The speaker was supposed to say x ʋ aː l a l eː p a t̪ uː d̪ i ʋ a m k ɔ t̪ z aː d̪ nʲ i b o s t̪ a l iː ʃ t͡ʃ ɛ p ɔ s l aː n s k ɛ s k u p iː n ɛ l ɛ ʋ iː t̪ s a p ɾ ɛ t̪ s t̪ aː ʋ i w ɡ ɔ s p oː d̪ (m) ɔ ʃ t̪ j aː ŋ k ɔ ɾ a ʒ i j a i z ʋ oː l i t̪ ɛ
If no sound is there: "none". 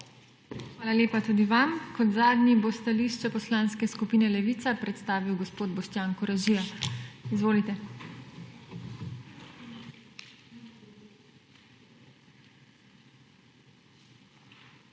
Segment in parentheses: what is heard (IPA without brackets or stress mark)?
b